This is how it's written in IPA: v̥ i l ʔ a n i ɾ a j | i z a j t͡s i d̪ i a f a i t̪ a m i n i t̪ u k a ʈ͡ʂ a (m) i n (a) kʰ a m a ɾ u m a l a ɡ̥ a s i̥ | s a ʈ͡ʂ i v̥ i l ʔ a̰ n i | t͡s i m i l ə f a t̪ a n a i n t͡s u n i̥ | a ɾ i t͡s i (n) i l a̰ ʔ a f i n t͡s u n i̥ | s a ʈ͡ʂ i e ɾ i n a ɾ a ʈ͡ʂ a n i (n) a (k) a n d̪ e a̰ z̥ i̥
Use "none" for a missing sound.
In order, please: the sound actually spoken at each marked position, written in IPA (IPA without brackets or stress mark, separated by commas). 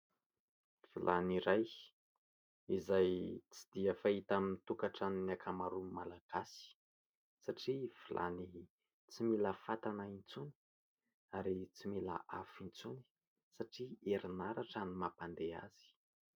n, a, m, m, p